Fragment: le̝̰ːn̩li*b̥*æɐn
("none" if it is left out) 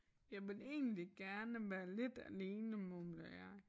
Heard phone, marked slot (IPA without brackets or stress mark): ɡ̥